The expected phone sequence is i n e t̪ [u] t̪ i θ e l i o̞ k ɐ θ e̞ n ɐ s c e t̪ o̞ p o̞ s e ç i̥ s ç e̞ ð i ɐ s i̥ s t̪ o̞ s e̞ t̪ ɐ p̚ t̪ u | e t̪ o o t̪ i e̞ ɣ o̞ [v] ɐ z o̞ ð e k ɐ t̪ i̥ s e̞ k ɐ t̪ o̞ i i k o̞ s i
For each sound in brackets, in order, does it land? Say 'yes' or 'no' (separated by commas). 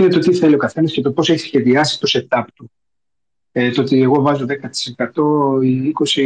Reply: no, yes